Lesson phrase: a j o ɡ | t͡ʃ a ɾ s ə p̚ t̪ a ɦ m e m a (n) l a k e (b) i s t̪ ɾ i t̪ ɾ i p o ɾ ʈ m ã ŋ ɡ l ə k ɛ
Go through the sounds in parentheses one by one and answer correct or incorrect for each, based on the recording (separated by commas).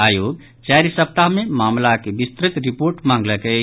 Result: incorrect, correct